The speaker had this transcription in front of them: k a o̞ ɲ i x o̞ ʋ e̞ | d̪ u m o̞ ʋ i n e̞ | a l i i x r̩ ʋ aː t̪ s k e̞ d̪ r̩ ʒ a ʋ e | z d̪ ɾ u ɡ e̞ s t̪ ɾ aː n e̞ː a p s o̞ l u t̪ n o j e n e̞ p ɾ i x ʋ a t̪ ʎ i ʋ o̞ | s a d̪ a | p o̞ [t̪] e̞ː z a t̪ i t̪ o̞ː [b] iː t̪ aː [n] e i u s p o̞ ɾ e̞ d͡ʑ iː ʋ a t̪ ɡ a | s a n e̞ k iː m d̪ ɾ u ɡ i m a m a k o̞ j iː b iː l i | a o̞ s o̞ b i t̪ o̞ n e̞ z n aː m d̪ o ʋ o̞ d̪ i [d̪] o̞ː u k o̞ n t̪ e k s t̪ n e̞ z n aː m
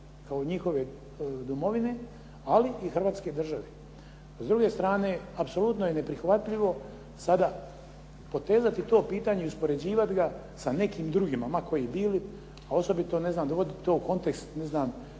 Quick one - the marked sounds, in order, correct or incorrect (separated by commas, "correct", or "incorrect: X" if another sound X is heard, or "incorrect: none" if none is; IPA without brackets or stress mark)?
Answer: correct, incorrect: p, incorrect: ɲ, incorrect: t̪